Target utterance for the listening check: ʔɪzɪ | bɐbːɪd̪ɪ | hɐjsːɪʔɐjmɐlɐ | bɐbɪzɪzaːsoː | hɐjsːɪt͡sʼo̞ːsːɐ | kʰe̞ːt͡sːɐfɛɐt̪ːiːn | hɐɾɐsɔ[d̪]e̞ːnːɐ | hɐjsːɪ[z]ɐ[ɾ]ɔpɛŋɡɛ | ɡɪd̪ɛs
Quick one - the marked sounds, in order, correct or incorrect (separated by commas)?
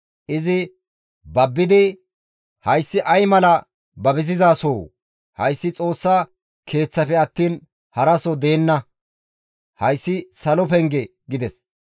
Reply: correct, incorrect, incorrect